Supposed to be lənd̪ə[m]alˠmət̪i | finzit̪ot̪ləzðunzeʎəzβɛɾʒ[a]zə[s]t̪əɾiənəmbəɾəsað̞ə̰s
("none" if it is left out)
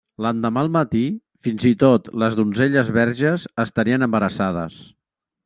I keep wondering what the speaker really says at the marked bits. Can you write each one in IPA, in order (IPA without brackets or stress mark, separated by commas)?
m, ə, s